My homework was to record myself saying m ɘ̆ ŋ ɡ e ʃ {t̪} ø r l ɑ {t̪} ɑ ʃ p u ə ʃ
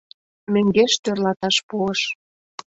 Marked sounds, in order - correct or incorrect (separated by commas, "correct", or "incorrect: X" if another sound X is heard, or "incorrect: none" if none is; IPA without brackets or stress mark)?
correct, correct